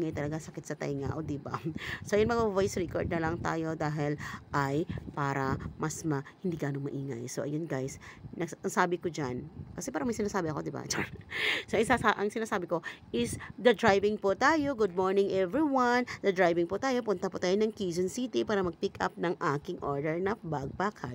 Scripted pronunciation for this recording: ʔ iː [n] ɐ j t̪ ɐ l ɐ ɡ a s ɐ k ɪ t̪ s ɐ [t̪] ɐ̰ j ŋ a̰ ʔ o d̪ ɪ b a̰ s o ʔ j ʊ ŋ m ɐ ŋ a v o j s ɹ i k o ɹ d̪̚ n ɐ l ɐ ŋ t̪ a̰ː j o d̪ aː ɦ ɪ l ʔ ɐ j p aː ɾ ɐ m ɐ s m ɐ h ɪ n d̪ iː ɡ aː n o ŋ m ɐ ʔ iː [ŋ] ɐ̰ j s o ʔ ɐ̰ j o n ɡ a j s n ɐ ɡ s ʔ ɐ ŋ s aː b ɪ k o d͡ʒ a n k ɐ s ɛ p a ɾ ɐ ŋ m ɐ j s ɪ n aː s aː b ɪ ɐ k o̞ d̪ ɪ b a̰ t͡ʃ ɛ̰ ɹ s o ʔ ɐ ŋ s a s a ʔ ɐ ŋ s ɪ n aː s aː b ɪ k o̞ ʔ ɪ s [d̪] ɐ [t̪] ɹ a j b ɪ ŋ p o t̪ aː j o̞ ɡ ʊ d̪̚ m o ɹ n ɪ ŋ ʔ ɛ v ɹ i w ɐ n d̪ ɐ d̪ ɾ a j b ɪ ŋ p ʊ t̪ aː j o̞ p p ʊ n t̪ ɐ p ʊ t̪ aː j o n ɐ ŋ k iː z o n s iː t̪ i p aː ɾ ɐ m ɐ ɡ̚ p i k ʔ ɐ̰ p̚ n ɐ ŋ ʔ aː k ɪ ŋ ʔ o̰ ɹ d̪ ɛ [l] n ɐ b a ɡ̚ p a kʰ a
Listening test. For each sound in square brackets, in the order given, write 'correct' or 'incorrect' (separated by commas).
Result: incorrect, correct, correct, correct, incorrect, incorrect